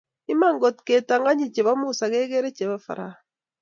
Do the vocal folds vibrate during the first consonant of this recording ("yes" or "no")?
yes